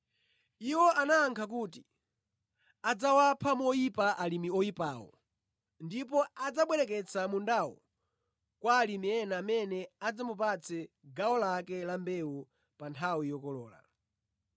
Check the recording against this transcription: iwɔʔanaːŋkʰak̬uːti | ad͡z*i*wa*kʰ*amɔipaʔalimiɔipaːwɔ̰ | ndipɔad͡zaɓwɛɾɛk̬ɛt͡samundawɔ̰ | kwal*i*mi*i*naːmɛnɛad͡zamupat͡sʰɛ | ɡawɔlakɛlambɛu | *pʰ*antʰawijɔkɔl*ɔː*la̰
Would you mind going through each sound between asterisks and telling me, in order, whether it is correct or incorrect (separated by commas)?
incorrect, incorrect, correct, incorrect, incorrect, correct